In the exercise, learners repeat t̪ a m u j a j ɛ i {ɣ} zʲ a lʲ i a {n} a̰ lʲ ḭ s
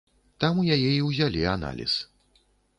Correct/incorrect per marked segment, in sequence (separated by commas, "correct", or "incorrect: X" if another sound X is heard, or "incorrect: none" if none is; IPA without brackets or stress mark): incorrect: w, correct